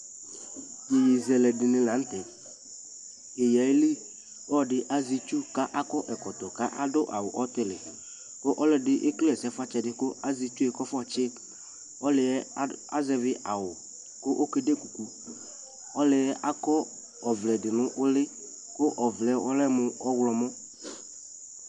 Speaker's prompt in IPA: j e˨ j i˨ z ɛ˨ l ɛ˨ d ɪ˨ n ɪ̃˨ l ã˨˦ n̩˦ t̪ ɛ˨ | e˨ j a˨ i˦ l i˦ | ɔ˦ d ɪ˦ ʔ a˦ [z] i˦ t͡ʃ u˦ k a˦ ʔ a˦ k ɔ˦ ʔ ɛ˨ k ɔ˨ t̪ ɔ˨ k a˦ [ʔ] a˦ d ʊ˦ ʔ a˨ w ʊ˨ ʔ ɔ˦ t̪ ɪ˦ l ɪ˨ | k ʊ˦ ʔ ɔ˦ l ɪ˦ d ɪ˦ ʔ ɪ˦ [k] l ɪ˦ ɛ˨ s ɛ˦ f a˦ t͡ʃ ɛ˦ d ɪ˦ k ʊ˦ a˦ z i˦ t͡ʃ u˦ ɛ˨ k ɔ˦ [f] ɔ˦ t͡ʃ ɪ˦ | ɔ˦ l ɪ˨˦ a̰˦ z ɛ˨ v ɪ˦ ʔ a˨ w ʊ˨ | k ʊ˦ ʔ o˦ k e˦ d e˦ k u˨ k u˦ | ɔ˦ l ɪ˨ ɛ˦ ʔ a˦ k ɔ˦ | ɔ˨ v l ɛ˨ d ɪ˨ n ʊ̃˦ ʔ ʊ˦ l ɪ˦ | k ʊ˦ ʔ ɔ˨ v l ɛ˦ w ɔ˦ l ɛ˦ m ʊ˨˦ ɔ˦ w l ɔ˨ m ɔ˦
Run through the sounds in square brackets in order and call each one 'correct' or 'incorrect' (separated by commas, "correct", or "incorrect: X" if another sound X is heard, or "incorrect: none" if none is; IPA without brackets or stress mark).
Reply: correct, correct, correct, correct